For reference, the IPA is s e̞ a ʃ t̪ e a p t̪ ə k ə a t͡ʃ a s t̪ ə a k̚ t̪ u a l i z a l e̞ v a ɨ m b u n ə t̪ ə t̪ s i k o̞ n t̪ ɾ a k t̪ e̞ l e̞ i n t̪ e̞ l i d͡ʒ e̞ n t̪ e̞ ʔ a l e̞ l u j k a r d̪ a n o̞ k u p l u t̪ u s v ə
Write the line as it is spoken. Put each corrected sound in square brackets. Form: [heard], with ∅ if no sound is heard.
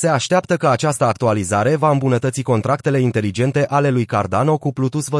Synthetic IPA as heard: s e̞ a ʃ t̪ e a p t̪ ə k ə a t͡ʃ a s t̪ ə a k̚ t̪ u a l i z a [ɾ] e̞ v a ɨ m b u n ə t̪ ə t̪ s i k o̞ n t̪ ɾ a k t̪ e̞ l e̞ i n t̪ e̞ l i d͡ʒ e̞ n t̪ e̞ ʔ a l e̞ l u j k a r d̪ a n o̞ k u p l u t̪ u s v ə